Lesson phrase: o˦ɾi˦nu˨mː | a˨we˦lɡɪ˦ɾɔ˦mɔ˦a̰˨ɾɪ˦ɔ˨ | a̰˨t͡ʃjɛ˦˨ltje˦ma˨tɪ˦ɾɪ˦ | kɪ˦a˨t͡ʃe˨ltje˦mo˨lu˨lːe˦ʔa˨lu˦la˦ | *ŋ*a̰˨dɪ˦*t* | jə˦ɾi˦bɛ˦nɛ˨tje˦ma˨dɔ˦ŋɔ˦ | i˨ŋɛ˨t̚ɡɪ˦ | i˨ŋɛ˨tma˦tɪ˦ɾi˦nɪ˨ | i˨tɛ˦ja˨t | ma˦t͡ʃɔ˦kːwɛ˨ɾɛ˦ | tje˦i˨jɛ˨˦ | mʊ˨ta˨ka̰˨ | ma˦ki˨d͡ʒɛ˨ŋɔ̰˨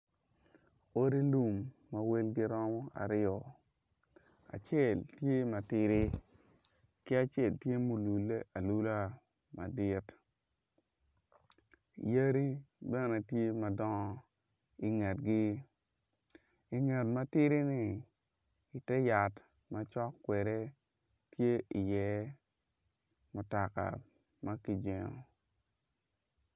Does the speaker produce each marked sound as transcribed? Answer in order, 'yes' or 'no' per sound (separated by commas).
no, yes